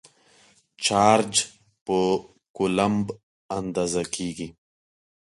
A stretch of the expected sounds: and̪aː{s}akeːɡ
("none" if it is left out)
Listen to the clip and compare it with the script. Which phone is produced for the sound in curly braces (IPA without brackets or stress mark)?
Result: z